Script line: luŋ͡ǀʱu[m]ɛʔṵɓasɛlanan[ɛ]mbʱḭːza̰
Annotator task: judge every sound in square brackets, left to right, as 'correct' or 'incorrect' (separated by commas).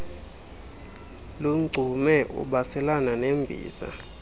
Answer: correct, incorrect